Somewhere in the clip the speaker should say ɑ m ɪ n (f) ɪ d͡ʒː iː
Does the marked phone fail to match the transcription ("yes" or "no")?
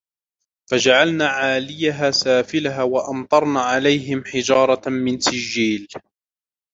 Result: yes